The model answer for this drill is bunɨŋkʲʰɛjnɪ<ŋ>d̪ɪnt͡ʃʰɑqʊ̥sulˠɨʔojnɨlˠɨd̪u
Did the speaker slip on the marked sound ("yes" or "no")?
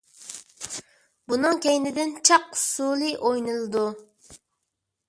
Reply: yes